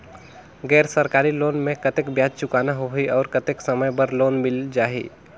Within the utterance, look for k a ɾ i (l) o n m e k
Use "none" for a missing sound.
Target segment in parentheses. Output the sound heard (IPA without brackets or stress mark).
l